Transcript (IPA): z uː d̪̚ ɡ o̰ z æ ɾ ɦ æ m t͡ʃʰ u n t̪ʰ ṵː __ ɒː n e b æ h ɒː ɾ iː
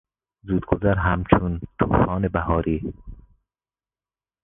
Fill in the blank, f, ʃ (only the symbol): f